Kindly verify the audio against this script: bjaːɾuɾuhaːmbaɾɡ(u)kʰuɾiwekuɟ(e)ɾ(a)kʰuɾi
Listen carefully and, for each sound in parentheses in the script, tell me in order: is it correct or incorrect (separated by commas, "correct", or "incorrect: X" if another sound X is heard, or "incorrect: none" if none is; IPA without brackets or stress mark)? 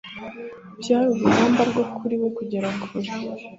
incorrect: o, correct, correct